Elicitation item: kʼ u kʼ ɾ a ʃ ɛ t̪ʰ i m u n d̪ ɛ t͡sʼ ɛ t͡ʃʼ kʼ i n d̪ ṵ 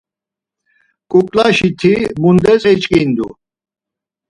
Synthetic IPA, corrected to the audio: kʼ u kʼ l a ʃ i t̪ʰ i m u n d̪ ɛ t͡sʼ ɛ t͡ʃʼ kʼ i n d̪ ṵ